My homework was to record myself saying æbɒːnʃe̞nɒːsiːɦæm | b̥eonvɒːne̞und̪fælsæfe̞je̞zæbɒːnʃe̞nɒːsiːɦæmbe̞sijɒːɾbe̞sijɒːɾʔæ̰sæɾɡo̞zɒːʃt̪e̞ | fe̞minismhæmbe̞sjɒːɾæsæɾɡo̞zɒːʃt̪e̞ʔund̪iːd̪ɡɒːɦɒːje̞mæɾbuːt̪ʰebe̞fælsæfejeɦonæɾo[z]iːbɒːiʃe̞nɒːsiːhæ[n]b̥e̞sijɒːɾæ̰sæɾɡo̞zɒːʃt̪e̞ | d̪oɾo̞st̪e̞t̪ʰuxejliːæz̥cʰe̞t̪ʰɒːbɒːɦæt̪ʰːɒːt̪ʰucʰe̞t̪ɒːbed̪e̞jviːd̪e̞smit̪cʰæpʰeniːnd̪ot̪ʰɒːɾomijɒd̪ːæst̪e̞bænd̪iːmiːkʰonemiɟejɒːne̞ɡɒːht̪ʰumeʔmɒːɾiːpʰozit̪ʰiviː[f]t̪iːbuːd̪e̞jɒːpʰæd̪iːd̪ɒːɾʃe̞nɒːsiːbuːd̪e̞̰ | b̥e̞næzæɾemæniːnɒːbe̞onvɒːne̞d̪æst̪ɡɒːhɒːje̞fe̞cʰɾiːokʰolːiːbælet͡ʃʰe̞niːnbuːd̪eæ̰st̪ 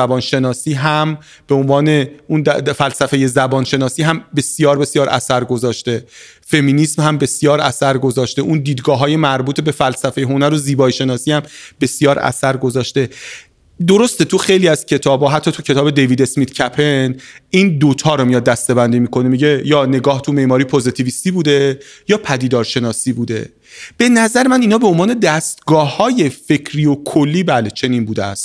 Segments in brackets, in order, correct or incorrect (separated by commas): correct, incorrect, incorrect